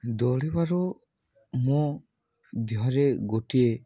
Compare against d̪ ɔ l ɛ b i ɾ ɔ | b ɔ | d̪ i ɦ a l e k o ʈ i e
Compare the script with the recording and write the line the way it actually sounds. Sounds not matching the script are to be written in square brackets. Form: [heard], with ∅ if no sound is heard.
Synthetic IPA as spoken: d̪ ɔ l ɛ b [a] ɾ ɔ | [m] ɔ | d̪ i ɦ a [ɾ] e [ɡ] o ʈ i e